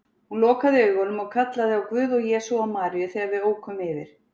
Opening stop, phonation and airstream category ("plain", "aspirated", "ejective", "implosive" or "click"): plain